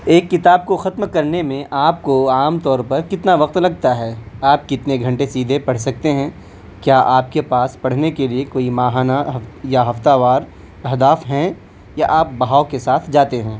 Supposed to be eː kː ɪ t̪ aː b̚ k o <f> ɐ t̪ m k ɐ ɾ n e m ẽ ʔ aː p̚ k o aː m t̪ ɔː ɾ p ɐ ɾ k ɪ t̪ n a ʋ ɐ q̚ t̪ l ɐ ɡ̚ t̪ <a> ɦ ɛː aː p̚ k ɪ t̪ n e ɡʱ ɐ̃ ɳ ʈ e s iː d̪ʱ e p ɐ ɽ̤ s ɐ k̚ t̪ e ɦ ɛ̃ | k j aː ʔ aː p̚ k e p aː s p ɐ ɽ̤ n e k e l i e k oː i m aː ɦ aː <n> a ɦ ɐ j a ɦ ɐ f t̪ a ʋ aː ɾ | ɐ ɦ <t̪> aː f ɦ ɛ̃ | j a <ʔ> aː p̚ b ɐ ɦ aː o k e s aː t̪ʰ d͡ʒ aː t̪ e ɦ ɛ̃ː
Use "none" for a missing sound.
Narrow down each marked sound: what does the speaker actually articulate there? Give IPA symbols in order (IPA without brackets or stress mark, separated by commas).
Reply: x, a, n, d̪, ʔ